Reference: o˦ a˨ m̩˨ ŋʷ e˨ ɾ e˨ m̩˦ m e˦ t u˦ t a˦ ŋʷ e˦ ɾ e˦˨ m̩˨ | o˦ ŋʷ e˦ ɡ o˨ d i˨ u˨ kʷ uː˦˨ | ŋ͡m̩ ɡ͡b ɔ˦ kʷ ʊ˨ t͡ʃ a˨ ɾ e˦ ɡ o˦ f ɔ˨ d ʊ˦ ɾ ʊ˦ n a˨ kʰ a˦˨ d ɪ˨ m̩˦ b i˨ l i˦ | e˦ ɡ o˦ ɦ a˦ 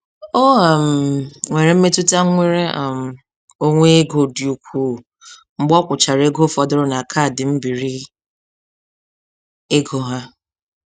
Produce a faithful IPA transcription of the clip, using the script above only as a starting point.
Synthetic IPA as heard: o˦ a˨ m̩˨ ŋʷ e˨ ɾ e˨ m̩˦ m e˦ t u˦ t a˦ ŋʷ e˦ ɾ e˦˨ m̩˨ | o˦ ŋʷ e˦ ɡ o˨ d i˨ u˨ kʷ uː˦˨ | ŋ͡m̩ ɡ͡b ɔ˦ kʷ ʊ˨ t͡ʃ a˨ ɾ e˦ ɡ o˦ f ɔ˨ d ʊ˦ ɾ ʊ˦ n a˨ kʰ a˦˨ d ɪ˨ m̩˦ b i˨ ɾ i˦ | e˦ ɡ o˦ ɦ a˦